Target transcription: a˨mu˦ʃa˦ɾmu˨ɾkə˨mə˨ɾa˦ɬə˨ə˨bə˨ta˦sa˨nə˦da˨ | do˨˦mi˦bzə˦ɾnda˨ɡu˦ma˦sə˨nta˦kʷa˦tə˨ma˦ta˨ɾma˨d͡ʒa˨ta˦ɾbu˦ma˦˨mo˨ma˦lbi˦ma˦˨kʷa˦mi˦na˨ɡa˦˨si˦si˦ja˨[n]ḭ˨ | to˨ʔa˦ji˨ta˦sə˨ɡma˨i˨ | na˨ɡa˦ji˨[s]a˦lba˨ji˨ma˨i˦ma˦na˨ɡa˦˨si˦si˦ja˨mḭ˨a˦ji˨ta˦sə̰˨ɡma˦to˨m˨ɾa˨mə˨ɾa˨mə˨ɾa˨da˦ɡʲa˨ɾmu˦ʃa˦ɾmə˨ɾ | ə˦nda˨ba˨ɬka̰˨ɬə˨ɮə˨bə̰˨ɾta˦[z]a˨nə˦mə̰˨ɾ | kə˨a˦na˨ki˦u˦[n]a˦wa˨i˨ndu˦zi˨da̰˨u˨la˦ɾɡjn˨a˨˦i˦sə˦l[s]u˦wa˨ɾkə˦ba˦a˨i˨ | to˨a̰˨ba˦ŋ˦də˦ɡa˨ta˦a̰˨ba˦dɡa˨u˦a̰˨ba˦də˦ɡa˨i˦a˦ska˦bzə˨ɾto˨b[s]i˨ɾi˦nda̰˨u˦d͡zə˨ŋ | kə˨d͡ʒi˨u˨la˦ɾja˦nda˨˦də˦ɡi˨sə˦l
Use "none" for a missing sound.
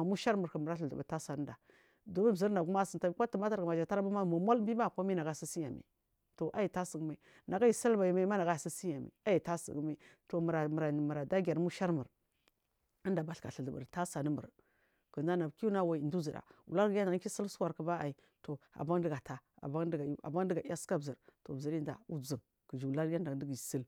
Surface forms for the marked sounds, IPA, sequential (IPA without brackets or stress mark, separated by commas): m, s, s, n, s, z